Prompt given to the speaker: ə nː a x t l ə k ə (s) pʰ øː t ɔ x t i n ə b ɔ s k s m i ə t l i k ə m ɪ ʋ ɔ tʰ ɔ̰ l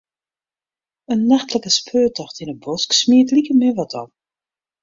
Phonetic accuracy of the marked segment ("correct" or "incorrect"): correct